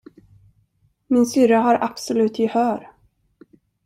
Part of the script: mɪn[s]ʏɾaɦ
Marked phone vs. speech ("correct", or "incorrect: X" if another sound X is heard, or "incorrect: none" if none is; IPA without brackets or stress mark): correct